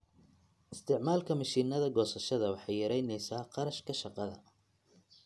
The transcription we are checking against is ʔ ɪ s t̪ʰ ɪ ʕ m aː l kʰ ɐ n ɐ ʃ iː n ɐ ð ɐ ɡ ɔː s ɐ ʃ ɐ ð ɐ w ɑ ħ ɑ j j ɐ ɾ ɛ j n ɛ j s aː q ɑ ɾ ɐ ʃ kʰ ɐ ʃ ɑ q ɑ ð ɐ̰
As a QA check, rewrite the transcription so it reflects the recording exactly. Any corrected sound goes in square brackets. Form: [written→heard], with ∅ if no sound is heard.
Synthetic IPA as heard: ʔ ɪ s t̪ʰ ɪ ʕ m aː l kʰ ɐ [n→m] ɐ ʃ iː n ɐ ð ɐ ɡ ɔː s ɐ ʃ ɐ ð ɐ w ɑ ħ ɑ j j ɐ ɾ ɛ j n ɛ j s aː q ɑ ɾ ɐ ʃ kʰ ɐ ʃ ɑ q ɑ ð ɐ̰